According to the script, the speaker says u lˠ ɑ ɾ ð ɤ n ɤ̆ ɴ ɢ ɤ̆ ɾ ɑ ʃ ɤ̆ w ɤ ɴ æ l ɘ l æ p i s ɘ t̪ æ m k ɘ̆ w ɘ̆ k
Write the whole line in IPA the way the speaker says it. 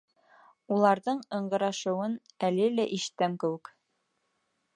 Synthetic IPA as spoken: u lˠ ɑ ɾ ð ɤ ɴ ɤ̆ ɴ ɢ ɤ̆ ɾ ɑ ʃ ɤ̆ w ɤ n æ l ɘ l æ ʔ i ʃ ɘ t̪ æ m k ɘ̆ w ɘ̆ k